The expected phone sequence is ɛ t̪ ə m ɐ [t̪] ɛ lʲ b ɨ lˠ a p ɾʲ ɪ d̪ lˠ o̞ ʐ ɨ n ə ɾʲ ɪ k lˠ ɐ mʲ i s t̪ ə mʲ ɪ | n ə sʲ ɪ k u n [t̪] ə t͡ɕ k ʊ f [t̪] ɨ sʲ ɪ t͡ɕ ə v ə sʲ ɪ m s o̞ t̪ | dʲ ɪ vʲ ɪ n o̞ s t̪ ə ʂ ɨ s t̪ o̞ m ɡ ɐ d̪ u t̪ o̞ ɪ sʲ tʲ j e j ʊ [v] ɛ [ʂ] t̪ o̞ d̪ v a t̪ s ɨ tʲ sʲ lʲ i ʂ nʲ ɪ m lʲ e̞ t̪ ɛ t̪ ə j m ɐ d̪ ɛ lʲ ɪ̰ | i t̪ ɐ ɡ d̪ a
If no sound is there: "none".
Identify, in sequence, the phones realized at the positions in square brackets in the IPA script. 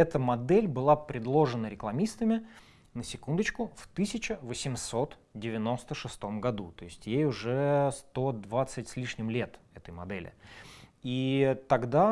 d̪, d̪, t̪, ʐ, s

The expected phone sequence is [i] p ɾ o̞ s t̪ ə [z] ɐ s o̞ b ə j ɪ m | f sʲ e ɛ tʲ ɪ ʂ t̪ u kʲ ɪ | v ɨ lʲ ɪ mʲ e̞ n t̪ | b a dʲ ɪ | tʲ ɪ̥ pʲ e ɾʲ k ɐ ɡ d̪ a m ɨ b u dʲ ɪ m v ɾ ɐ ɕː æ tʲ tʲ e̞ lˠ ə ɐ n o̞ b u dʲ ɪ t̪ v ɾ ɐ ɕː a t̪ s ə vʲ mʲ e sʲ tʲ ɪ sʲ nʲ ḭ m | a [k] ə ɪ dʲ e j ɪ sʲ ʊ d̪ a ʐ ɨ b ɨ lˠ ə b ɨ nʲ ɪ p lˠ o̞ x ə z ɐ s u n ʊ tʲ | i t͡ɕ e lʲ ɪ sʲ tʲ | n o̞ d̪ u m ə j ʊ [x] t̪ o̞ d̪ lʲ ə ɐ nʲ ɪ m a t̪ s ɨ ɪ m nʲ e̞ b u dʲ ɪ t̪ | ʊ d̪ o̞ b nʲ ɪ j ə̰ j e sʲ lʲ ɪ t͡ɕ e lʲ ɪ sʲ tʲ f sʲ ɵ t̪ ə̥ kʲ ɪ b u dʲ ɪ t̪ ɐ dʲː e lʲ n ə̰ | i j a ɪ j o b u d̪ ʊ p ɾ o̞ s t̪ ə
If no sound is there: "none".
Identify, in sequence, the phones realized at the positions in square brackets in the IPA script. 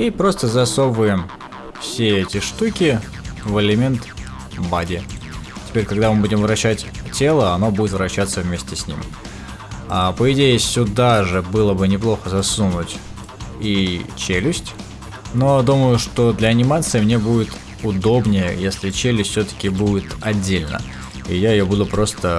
i, z, p, ʂ

